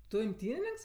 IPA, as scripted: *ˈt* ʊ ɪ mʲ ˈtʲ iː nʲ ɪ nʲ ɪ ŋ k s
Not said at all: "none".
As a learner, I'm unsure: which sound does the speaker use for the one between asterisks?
t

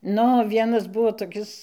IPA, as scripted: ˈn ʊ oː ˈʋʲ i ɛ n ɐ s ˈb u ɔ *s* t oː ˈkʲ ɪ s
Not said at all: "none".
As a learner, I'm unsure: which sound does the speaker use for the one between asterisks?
none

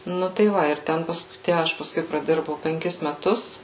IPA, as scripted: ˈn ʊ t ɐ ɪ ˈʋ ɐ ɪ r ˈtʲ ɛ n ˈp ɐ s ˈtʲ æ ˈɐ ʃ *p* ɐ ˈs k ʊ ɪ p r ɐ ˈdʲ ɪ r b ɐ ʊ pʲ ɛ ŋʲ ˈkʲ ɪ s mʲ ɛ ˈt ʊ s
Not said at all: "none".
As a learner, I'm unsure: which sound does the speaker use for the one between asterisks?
p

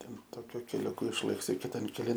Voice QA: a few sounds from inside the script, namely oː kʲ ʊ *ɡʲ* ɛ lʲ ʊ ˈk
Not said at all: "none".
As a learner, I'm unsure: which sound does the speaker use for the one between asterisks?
kʲ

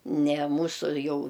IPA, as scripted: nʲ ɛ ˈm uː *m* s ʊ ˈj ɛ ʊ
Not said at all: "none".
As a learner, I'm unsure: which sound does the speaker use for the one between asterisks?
none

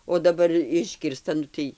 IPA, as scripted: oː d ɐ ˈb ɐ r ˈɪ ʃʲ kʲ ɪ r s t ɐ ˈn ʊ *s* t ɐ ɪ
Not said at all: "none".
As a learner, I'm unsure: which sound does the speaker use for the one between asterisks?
none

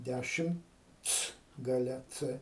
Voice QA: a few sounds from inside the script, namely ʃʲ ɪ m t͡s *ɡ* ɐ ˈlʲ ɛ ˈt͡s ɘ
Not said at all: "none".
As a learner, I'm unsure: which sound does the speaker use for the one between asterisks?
ɡ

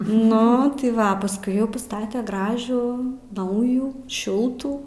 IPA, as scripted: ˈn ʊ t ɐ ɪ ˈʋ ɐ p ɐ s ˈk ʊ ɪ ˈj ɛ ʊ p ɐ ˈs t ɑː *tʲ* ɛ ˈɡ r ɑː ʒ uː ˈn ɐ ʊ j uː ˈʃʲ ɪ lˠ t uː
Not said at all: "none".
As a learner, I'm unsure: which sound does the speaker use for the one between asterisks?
tʲ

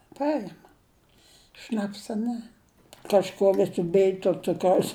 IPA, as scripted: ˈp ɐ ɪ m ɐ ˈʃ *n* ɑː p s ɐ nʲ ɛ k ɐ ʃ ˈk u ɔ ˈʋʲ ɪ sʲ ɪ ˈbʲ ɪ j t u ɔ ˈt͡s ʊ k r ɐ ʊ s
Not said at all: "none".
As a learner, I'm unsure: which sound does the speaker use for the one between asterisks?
n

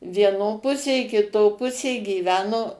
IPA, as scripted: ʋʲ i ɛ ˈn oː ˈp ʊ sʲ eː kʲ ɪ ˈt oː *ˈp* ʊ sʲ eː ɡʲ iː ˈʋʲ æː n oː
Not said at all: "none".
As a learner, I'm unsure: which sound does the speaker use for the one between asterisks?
p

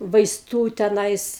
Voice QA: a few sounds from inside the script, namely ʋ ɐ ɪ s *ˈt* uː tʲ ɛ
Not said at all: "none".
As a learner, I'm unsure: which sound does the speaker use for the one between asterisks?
t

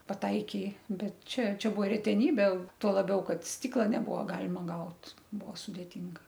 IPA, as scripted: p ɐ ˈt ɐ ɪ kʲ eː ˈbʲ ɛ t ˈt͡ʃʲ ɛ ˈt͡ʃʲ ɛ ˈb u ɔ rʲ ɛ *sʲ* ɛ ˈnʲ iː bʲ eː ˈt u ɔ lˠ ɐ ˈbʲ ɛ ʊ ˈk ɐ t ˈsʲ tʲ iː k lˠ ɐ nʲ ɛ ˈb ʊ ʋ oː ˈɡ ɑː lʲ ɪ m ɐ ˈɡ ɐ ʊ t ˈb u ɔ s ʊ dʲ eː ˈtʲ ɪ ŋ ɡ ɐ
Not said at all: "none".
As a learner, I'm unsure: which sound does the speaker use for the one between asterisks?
tʲ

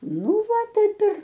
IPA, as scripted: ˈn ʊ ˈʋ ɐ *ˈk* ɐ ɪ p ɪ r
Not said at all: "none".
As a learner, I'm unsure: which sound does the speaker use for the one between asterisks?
t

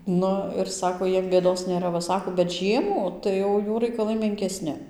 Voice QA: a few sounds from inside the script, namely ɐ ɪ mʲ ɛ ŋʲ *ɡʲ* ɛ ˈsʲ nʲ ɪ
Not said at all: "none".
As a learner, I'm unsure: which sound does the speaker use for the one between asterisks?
kʲ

